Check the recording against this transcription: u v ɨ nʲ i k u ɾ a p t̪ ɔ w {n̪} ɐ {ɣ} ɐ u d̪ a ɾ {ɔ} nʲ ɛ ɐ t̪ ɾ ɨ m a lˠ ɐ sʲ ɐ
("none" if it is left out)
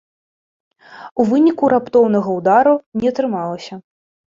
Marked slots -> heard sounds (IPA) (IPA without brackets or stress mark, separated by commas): n̪, ɣ, u